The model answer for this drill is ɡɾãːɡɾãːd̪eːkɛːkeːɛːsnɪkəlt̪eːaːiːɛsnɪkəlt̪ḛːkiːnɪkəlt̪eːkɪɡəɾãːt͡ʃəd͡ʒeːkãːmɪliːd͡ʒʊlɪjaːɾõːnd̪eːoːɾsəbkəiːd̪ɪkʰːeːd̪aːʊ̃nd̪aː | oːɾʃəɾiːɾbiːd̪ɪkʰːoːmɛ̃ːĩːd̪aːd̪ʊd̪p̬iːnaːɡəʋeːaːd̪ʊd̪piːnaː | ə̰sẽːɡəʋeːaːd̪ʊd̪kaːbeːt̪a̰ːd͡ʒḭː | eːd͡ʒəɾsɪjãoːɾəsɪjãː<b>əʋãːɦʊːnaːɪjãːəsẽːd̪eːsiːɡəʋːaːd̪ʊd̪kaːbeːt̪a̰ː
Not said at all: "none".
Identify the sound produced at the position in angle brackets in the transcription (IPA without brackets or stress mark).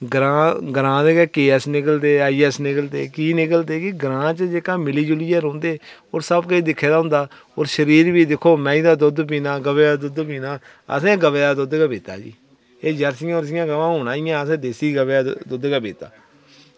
ɡ